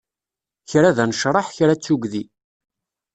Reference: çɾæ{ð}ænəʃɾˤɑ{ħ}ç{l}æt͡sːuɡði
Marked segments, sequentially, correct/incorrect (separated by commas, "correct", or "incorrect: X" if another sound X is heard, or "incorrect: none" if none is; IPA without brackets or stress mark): correct, correct, incorrect: ɾ